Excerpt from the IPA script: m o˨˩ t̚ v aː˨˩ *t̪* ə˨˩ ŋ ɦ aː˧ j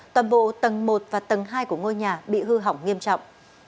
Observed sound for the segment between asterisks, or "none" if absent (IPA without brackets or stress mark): t̪